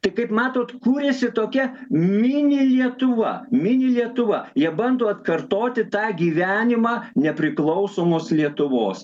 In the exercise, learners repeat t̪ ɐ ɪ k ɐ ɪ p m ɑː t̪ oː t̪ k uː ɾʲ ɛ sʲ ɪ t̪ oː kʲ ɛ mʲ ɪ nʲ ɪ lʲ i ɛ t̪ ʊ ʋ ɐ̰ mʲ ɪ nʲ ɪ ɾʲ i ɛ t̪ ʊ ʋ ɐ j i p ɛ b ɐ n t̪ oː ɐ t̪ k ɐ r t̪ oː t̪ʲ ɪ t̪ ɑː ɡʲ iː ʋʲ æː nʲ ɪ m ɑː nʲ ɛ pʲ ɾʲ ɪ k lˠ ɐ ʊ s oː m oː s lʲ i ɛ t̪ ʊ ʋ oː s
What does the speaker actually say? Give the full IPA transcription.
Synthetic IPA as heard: t̪ ɐ ɪ k ɐ ɪ p m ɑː t̪ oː t̪ k uː ɾʲ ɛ sʲ ɪ t̪ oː kʲ ɛ mʲ ɪ nʲ ɪ lʲ i ɛ t̪ ʊ ʋ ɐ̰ mʲ ɪ nʲ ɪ lʲ i ɛ t̪ ʊ ʋ ɐ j i ɛ b ɐ n d̪ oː ɐ t̪ k ɐ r t̪ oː t̪ʲ ɪ t̪ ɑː ɡʲ iː ʋʲ æː nʲ ɪ m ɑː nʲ ɛ pʲ ɾʲ ɪ k lˠ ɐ ʊ s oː m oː s lʲ i ɛ t̪ ʊ ʋ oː s